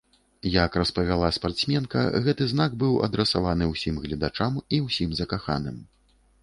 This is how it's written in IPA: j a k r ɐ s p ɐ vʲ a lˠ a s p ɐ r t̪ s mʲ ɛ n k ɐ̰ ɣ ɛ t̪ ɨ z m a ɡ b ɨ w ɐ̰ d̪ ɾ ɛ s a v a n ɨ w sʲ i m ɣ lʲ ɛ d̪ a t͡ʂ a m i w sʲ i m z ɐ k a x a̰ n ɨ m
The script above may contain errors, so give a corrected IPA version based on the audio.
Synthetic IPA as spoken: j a k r ɐ s p ɐ vʲ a lˠ a s p a r t̪ s mʲ ɛ n k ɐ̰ ɣ ɛ t̪ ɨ z n a ɡ b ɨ w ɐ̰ d̪ ɾ ɛ s a v a n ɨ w sʲ i m ɣ lʲ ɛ d̪ a t͡ʂ a m i w sʲ i m z ɐ k a x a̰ n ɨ m